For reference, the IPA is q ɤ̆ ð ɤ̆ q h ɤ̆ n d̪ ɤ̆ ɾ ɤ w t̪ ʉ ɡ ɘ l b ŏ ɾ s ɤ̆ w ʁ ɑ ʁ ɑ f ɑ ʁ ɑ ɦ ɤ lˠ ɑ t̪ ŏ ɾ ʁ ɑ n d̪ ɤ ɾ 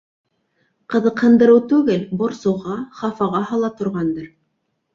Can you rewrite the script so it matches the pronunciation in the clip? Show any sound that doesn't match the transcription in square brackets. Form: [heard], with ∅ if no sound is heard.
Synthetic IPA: q ɤ̆ ð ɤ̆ q h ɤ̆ n d̪ ɤ̆ ɾ ɤ w t̪ ʉ ɡ ɘ l b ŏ ɾ s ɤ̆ w ʁ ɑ [χ] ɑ f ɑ ʁ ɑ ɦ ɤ lˠ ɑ t̪ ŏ ɾ ʁ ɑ n d̪ ɤ ɾ